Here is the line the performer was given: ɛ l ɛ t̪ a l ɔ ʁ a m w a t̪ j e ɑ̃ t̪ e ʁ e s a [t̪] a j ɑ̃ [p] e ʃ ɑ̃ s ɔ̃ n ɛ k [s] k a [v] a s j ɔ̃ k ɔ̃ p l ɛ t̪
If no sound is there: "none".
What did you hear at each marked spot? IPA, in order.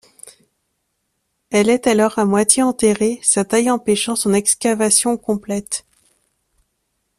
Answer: t̪, p, s, v

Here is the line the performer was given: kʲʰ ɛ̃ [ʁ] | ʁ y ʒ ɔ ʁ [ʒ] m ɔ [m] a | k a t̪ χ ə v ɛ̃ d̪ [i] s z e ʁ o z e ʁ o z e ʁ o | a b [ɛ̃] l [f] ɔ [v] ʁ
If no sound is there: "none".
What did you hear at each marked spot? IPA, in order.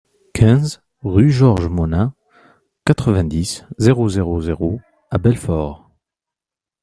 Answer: z, ʒ, n, i, ɛ, f, none

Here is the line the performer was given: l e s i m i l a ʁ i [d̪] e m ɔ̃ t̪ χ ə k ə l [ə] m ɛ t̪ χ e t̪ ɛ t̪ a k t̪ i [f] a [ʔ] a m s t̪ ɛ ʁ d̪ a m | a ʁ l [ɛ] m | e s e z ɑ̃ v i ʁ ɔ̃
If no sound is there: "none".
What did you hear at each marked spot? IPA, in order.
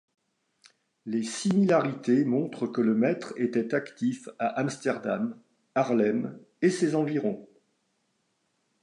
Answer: t̪, ə, f, ʔ, ɛ

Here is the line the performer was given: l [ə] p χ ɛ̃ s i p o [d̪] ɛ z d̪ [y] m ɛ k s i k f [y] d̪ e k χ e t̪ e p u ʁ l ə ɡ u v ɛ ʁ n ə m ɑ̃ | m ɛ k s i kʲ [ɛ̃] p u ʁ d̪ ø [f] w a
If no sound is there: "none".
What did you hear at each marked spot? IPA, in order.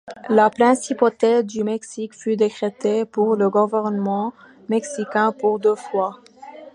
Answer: a, t̪, y, y, ɛ̃, f

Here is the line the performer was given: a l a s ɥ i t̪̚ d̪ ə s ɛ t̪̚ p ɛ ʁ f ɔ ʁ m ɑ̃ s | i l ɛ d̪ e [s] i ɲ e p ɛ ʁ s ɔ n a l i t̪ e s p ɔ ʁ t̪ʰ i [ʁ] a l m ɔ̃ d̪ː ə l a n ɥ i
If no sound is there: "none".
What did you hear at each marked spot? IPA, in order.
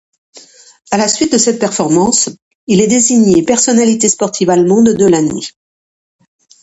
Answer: z, v

